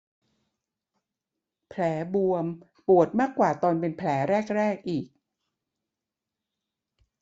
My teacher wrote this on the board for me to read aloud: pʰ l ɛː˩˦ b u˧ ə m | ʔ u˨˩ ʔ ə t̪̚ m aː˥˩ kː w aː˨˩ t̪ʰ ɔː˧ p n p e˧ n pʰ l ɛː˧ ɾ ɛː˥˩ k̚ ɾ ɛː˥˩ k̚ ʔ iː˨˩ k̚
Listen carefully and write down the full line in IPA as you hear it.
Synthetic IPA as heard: pʰ l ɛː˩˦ b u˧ ə m | p u˨˩ ə t̪̚ m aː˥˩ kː w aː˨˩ t̪ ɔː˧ n p e˧ n pʰ l ɛː˩˦ ɾ ɛː˥˩ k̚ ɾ ɛː˥˩ k̚ ʔ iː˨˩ k̚